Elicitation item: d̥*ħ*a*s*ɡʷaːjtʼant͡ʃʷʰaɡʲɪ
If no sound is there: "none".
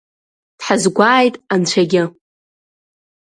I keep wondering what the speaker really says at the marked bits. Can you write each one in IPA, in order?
ħ, z

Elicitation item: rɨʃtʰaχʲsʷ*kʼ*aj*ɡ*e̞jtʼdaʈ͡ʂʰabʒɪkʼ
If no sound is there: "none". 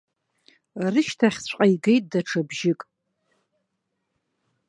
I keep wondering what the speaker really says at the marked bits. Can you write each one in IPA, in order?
qʼ, ɡ

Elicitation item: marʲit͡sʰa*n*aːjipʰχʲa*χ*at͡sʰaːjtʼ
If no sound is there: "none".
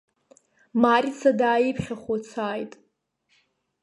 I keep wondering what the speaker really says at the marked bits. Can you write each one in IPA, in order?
d, χ

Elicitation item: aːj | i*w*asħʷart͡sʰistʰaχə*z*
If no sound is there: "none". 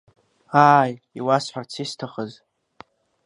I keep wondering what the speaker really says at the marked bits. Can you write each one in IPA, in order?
w, z

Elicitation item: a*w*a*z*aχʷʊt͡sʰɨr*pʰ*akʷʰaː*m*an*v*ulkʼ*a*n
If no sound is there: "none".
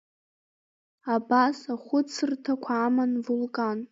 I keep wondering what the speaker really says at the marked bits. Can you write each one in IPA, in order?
b, s, tʰ, m, v, a

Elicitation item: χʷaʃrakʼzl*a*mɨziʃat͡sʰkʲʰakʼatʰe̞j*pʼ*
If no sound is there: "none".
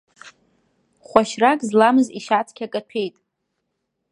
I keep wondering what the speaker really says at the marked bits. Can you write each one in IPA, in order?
a, tʼ

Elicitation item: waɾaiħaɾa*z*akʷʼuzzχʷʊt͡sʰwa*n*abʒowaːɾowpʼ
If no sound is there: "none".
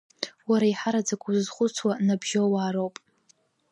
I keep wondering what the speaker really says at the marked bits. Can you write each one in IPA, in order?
d͡z, n

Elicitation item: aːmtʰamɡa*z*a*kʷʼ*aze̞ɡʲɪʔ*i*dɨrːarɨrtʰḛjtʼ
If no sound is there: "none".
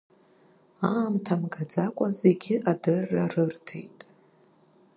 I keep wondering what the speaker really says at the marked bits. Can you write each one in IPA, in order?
d͡z, kʷʼ, a

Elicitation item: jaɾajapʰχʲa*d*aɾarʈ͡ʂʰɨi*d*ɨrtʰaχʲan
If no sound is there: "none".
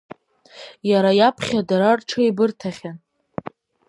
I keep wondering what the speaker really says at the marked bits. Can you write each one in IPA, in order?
d, b

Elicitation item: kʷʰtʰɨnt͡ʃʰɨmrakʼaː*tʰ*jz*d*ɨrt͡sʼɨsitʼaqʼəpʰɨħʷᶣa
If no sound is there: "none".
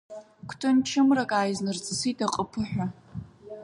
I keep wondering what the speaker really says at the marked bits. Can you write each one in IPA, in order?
none, n

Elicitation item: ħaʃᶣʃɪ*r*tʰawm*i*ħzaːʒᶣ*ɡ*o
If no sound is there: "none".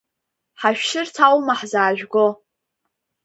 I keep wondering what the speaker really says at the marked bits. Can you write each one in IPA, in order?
r, a, ɡ

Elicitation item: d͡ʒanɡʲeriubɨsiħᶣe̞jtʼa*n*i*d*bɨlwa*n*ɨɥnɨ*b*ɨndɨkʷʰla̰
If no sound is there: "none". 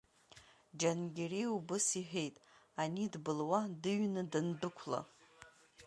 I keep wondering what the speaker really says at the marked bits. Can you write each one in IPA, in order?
n, d, d, d

